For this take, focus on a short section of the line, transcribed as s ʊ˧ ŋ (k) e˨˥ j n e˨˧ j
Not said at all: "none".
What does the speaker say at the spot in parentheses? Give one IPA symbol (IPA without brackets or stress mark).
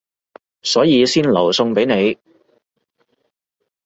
p